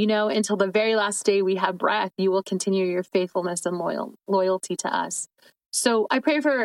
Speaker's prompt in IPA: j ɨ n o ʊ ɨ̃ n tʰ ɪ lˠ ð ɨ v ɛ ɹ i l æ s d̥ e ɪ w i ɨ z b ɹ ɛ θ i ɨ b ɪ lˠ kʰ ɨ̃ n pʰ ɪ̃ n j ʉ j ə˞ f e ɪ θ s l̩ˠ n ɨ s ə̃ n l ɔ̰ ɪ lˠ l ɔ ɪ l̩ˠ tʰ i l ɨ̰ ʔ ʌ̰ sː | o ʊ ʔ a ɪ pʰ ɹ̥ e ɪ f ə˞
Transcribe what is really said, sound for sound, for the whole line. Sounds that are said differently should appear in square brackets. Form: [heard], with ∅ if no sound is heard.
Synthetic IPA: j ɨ n o ʊ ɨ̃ n tʰ ɪ lˠ ð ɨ v ɛ ɹ i l æ s d̥ e ɪ w i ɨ [v] b ɹ ɛ θ [j] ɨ [w] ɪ lˠ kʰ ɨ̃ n [tʰ] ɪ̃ n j ʉ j ə˞ f e ɪ θ [f] l̩ˠ n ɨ s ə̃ n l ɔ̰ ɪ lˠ l ɔ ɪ l̩ˠ tʰ i [ɾ] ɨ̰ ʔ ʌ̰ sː | o ʊ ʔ a ɪ pʰ ɹ̥ e ɪ f ə˞